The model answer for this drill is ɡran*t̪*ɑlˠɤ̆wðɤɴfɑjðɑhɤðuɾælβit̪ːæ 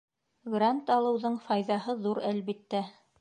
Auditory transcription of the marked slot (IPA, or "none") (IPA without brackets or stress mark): t̪